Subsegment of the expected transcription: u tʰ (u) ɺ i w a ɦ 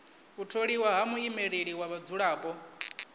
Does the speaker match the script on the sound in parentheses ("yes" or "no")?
no